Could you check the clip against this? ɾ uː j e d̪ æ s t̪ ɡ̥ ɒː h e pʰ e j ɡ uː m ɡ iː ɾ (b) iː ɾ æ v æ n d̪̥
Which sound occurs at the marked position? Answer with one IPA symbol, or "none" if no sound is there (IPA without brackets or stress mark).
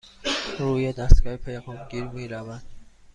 m